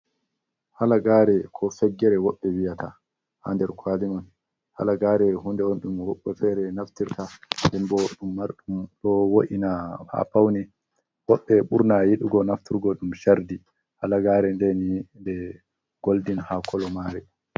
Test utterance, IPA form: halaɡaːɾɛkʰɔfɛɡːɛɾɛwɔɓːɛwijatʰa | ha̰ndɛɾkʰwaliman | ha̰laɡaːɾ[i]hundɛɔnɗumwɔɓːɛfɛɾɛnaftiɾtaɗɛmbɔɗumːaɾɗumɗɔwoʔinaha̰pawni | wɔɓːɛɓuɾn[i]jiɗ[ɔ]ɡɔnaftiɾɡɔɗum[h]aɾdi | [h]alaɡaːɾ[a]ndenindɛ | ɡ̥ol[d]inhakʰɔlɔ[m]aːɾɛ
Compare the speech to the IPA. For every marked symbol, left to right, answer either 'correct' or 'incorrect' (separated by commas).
incorrect, incorrect, incorrect, incorrect, correct, incorrect, correct, correct